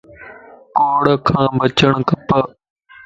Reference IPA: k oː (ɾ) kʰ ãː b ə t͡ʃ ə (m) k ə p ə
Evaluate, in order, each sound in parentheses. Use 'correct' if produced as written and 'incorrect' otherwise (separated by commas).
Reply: incorrect, incorrect